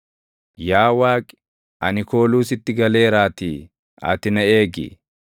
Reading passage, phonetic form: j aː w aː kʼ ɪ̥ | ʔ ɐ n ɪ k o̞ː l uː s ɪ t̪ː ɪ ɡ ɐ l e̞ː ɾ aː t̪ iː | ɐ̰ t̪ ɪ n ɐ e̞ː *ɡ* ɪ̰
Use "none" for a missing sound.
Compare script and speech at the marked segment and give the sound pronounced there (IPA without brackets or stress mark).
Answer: ɡ